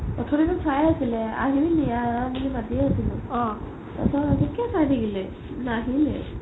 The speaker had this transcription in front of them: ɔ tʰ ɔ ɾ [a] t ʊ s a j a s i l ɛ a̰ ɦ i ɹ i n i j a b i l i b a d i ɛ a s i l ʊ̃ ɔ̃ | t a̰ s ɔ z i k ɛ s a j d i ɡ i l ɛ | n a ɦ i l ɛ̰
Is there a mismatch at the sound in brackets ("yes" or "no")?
yes